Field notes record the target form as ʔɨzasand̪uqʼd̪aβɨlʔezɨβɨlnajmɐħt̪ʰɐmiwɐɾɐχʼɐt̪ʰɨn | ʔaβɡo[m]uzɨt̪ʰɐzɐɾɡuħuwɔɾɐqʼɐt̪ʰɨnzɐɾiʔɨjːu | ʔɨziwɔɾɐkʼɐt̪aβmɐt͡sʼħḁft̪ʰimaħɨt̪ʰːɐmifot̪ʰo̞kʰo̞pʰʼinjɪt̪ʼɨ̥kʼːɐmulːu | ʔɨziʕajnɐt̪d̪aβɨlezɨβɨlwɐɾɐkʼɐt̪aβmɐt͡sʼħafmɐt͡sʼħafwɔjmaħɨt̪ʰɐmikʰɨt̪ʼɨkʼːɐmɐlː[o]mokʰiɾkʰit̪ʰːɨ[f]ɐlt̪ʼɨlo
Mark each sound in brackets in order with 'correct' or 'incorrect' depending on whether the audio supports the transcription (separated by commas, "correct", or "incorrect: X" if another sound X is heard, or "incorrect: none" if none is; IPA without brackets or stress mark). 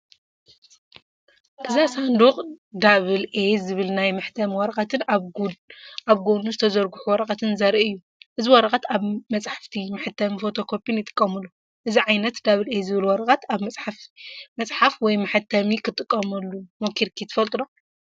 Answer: incorrect: n, incorrect: u, correct